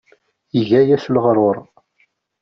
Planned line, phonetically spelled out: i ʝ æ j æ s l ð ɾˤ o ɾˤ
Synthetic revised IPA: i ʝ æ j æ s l ʁ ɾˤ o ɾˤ